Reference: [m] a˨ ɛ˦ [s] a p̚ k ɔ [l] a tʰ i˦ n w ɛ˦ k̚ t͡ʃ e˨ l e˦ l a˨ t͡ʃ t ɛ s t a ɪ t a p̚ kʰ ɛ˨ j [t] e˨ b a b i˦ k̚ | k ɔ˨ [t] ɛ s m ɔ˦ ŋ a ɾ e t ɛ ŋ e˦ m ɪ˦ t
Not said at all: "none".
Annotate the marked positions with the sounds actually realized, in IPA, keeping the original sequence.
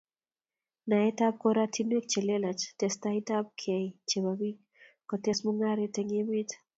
n, t, ɾ, t͡ʃ, t

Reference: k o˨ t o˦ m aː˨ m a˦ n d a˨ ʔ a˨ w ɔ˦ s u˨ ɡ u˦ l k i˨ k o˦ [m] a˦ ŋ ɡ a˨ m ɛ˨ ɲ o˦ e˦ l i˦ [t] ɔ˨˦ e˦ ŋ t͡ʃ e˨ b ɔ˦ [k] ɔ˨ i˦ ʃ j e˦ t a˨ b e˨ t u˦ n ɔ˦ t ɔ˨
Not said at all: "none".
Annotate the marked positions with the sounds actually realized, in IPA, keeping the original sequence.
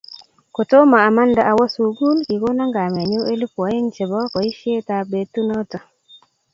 n, p, k

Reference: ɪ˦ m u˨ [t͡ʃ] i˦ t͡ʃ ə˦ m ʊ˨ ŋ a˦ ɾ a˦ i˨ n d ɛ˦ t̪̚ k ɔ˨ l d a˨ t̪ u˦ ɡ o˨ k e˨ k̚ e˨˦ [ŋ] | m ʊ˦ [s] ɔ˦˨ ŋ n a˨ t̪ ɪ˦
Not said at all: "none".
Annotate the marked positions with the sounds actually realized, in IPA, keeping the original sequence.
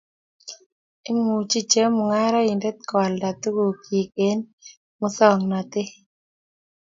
t͡ʃ, n, s

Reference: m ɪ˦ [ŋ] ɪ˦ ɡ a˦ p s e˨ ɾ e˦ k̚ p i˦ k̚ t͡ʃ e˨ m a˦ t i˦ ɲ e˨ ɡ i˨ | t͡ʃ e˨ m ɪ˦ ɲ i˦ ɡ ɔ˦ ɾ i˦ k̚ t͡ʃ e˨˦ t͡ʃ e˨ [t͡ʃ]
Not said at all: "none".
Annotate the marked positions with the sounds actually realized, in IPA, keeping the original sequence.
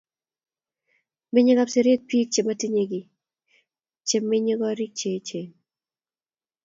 ɲ, none

